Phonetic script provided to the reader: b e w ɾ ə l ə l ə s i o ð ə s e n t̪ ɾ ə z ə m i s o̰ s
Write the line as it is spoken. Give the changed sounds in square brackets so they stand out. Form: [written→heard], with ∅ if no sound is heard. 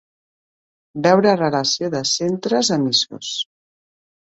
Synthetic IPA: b [e→ɛ] w ɾ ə [l→r] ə l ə s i o ð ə s e n t̪ ɾ ə z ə m i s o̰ s